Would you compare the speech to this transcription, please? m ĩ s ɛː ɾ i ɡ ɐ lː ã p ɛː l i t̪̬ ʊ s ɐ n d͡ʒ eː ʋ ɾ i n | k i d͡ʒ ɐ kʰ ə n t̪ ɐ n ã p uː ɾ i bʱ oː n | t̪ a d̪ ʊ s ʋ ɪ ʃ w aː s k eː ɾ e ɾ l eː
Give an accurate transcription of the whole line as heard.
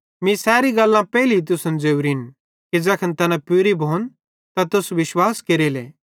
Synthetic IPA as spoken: m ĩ s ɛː ɾ i ɡ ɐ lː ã p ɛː l i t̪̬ ʊ s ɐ n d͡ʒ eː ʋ ɾ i n | k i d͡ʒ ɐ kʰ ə n t̪ ɐ n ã p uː ɾ i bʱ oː n | t̪ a t̪ ʊ s ʋ ɪ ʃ w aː s k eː ɾ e l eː